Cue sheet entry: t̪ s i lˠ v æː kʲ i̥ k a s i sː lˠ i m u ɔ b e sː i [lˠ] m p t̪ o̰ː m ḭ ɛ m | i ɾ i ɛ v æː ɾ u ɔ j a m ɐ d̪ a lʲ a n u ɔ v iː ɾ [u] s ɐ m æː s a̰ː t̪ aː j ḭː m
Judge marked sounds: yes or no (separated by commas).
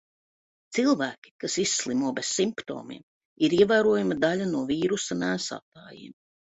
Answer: no, yes